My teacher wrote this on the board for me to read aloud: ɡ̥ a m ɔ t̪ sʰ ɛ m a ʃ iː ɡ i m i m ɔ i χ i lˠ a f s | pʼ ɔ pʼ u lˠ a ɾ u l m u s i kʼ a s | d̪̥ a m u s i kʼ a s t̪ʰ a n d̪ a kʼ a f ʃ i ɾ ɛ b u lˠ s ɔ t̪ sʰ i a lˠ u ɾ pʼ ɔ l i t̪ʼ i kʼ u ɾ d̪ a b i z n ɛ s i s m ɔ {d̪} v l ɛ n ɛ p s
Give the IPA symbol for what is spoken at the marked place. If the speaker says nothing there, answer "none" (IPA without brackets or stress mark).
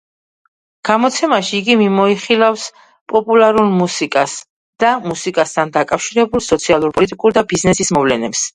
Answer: none